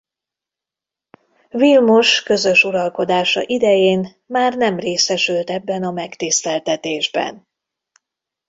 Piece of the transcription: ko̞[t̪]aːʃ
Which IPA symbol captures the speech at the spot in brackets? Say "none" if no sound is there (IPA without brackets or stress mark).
d̪